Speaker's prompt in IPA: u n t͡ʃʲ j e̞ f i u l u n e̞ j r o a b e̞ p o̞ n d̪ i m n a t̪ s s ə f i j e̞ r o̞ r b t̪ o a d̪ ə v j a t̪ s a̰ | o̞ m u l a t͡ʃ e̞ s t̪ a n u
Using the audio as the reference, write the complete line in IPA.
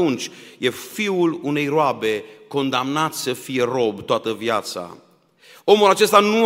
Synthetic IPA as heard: u n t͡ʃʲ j e̞ f i u l u n e̞ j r o a b e̞ k o̞ n d̪ a m n a t̪ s s ə f i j e̞ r o̞ b t̪ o a t̪ ə v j a t̪ s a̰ | o̞ m u l a t͡ʃ e̞ s t̪ a n u